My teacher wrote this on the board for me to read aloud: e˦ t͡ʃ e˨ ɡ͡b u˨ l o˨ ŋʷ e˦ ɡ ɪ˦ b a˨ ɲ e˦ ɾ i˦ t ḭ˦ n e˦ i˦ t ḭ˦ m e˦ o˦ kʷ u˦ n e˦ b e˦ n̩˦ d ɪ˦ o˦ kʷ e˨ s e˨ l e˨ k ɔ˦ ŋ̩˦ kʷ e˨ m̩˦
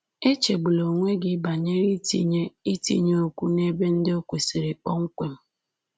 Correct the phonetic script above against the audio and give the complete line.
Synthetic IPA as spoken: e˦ t͡ʃ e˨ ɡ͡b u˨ l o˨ ŋʷ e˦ ɡ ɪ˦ b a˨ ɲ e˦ ɾ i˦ t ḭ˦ ɲ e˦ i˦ t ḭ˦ ɲ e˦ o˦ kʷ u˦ n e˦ b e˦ n̩˦ d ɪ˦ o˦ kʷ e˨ s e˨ ɾ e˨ k͡p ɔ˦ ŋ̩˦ kʷ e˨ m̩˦